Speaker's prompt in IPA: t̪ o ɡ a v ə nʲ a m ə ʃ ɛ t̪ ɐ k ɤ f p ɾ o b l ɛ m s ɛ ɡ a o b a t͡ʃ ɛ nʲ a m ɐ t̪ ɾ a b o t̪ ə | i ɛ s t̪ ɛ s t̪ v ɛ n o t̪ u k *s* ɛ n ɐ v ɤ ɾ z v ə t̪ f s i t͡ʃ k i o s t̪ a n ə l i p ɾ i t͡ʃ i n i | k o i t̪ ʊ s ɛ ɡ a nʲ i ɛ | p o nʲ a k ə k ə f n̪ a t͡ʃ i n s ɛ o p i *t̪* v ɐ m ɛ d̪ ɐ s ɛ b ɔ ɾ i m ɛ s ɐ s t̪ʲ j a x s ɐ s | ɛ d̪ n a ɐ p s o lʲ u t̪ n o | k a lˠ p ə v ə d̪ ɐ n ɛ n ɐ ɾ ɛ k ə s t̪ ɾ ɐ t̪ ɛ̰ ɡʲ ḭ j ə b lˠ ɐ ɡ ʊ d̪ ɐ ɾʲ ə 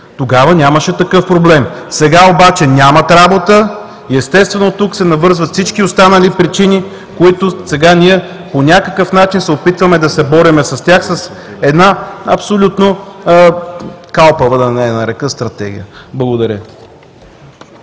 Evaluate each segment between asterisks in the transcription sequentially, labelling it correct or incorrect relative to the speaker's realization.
correct, correct

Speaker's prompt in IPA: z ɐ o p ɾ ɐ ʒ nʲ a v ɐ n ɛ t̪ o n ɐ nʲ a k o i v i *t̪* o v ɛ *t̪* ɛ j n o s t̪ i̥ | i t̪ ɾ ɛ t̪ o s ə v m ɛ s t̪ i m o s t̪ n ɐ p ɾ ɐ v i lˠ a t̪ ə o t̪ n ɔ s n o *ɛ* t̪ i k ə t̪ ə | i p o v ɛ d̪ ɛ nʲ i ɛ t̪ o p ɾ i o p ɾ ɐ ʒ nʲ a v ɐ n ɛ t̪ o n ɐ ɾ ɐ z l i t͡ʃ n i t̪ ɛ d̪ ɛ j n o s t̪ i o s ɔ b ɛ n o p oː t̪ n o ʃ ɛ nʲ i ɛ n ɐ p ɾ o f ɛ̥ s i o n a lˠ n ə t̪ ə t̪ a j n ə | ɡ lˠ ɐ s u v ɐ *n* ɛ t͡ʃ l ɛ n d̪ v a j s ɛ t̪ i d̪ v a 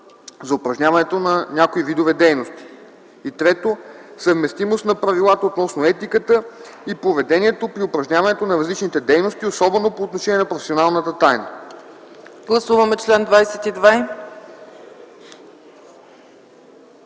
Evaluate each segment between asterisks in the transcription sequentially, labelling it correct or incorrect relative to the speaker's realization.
incorrect: d̪, incorrect: d̪, correct, incorrect: m

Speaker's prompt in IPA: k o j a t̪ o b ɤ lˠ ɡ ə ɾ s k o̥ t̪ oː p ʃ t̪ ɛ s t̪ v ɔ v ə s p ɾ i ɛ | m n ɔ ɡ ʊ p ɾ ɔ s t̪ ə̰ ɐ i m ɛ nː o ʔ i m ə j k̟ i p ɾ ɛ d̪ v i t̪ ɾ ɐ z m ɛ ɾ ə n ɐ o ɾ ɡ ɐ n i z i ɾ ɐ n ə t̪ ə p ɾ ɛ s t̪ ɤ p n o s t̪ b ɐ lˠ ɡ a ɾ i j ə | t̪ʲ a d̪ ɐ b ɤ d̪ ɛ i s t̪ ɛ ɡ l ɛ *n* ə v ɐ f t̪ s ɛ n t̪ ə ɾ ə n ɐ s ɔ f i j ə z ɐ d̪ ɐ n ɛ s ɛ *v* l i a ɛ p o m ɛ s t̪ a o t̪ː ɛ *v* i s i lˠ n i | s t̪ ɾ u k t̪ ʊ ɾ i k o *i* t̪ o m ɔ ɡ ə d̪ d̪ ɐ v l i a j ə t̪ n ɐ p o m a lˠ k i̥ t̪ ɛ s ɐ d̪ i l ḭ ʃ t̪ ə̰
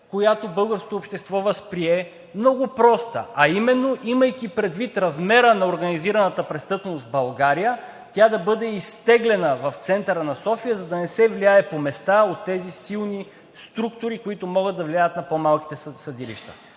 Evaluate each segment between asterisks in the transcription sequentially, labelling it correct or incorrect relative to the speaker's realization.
correct, correct, incorrect: z, correct

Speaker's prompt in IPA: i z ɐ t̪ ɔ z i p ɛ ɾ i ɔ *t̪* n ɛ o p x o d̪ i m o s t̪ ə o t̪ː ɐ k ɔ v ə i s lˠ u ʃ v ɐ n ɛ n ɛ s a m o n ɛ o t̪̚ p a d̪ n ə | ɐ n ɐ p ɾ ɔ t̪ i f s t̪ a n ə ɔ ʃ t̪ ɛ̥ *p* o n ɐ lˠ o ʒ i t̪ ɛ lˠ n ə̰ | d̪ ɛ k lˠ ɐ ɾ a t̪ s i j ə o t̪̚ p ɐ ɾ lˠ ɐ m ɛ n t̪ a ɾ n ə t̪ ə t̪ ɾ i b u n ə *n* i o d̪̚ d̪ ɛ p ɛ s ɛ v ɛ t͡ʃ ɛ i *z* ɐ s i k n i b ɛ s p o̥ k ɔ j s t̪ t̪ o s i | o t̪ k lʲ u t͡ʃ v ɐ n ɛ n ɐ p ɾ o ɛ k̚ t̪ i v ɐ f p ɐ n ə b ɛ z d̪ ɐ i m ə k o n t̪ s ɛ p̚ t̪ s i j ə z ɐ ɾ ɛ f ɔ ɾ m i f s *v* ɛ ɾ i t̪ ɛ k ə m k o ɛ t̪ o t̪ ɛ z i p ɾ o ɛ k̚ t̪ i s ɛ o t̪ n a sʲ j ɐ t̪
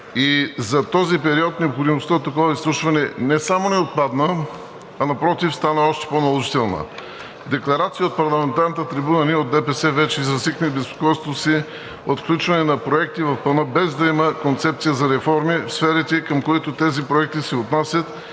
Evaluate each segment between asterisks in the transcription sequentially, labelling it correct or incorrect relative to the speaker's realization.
correct, correct, correct, correct, incorrect: f

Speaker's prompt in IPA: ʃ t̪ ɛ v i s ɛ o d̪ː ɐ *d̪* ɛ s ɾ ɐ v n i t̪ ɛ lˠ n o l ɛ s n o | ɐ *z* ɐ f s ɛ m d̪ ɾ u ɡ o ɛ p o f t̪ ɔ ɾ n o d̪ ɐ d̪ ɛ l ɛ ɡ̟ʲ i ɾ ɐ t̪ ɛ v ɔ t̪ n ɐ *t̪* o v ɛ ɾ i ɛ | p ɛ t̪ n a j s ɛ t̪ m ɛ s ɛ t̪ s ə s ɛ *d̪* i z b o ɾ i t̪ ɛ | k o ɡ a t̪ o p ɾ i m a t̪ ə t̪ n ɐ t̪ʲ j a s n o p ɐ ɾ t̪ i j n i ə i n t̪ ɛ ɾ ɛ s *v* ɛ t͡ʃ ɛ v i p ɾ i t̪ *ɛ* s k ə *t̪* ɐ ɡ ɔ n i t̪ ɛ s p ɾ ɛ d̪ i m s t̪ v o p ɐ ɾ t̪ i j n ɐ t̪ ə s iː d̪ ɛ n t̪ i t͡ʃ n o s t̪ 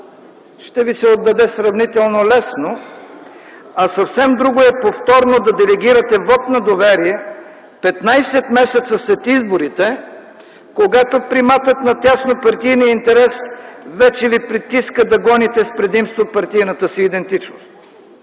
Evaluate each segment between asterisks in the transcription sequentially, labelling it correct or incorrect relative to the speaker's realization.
correct, incorrect: s, incorrect: d̪, incorrect: t̪, correct, incorrect: i, incorrect: d̪

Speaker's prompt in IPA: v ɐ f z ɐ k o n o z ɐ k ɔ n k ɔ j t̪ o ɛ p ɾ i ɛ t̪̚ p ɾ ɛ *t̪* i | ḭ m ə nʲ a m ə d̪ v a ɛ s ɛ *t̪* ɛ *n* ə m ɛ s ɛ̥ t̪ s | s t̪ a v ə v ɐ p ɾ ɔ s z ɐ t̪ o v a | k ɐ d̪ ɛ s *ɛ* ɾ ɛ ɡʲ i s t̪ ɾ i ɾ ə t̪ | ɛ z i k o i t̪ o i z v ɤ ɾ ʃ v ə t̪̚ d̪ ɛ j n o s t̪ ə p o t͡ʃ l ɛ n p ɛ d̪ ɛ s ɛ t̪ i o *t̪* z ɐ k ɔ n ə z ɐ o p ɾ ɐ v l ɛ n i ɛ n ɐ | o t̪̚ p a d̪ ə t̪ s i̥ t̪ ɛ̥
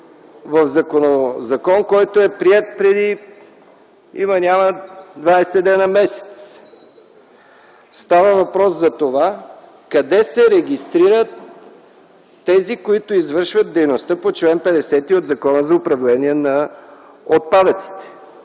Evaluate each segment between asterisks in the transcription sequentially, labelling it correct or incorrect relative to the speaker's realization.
incorrect: d̪, incorrect: d̪, correct, correct, incorrect: d̪

